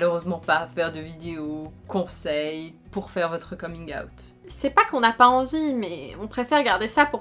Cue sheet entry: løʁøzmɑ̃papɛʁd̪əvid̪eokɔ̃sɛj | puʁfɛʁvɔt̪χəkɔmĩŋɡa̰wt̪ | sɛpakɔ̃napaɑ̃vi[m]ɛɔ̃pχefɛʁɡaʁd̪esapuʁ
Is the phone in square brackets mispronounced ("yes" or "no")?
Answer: no